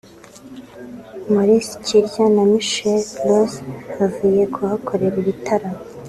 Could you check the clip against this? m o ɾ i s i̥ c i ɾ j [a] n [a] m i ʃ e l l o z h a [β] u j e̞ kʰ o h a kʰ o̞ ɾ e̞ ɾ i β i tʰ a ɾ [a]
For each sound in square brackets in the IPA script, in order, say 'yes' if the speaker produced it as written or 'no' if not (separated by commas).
yes, yes, no, yes